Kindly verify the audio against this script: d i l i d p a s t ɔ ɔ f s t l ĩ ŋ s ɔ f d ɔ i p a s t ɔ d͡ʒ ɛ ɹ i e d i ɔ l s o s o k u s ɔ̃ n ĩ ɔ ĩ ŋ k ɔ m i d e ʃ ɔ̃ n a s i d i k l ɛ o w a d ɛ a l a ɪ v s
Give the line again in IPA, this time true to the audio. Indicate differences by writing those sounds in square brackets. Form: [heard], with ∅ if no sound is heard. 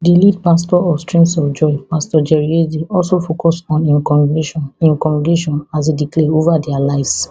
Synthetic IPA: d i l i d p a s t ɔ ɔ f s t [ɹ] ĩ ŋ s ɔ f [d͡ʒ] ɔ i p a s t ɔ d͡ʒ ɛ ɹ i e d i ɔ l s o [f] o k [ɔ] s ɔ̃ n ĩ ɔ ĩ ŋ k ɔ m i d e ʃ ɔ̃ n a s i d i k l ɛ o [v] a d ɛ a l a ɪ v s